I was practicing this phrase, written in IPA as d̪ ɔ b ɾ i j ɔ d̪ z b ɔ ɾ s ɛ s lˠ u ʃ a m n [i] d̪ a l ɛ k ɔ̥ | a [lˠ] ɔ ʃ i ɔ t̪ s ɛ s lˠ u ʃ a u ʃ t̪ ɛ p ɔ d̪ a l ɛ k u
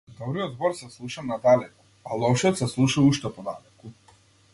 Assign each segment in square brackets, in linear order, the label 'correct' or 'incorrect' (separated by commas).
incorrect, correct